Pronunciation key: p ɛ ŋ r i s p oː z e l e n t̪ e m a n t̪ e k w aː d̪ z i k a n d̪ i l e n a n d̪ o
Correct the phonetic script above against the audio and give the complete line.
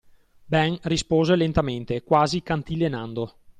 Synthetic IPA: b ɛ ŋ r i s p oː z e l e n t̪ a m e n t̪ e k w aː z i k a n t̪ i l e n a n d̪ o